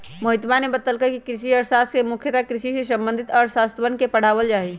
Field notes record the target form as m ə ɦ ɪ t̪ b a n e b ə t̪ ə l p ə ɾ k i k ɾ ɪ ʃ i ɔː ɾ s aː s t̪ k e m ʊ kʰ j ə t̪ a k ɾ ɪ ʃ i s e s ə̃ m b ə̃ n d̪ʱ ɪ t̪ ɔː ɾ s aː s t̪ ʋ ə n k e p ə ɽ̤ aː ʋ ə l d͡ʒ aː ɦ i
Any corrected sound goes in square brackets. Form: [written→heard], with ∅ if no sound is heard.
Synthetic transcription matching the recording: m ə ɦ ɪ t̪ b a n e b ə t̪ ə l [p→k] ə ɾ k i k ɾ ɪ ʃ i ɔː ɾ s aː s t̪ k e m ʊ kʰ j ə t̪ a k ɾ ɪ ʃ i s e s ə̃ m b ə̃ n d̪ʱ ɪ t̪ ɔː ɾ s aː s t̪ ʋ ə n k e p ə ɽ̤ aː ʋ ə l d͡ʒ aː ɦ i